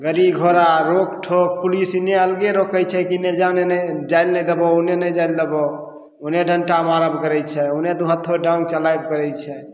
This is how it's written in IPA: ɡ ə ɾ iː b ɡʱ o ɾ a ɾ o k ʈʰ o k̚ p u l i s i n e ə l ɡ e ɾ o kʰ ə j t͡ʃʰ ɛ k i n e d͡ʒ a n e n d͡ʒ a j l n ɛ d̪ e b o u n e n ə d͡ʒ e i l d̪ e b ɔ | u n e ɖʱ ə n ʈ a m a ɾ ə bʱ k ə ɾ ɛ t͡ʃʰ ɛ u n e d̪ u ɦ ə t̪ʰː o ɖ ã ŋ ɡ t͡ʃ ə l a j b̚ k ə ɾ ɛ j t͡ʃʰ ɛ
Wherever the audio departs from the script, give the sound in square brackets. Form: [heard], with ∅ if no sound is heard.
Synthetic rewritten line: ɡ ə ɾ [i] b ɡʱ o ɾ a ɾ o k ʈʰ o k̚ p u l i s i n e ə l ɡ e ɾ o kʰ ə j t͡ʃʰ ɛ k i n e d͡ʒ a n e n d͡ʒ a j l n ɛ d̪ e b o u n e n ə d͡ʒ [a] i l d̪ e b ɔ | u n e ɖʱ ə n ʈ a m a ɾ ə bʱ k ə ɾ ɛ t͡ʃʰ ɛ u n e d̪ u ɦ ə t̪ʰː o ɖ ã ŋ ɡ t͡ʃ ə l a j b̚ k ə ɾ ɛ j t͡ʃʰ ɛ